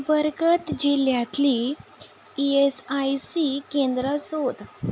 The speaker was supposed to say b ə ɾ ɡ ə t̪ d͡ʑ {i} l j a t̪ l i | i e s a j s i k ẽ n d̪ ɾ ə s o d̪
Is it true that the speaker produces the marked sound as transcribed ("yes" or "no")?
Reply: yes